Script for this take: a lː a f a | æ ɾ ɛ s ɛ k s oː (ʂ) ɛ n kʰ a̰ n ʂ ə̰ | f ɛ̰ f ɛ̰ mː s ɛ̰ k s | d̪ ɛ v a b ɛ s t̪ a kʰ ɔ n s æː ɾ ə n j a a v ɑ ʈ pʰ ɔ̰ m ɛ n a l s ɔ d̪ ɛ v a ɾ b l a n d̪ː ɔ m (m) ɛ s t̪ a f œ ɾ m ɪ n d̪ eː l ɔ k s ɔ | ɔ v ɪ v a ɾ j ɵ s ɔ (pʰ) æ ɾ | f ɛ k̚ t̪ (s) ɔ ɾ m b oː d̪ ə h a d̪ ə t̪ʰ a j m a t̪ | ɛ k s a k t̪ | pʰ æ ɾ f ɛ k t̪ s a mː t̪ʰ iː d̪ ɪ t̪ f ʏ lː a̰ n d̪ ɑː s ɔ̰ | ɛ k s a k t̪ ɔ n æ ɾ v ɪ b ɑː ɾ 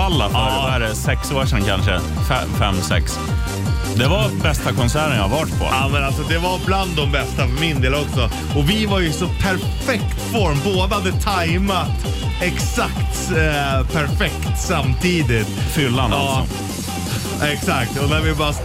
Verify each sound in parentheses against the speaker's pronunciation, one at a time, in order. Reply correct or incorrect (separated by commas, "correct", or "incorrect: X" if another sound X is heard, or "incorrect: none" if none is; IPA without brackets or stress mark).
correct, incorrect: b, correct, incorrect: f